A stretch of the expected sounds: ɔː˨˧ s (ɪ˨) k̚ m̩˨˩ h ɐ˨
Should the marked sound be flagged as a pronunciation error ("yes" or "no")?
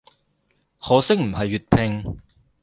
yes